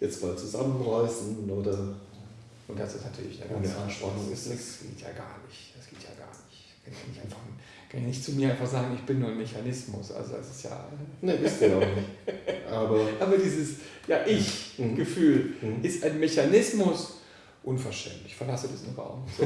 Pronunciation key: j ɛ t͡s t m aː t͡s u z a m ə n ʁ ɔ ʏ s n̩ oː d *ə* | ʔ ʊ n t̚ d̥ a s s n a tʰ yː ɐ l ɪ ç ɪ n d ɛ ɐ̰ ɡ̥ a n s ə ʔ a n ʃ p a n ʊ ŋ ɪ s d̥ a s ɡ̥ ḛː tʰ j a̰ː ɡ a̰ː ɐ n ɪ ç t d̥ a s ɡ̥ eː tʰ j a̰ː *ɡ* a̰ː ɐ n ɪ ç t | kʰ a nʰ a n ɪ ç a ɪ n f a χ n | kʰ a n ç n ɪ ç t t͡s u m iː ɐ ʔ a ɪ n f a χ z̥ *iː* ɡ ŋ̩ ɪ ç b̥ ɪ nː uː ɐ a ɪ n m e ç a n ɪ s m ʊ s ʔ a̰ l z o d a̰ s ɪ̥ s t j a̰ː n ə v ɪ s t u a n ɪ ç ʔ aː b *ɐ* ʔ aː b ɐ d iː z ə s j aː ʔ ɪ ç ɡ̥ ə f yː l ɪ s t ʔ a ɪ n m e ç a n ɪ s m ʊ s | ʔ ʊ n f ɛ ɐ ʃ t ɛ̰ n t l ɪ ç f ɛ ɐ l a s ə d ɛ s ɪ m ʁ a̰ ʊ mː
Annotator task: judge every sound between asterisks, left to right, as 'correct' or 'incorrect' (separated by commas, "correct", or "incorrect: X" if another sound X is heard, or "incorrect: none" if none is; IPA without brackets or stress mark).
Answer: incorrect: ɐ, correct, incorrect: aː, correct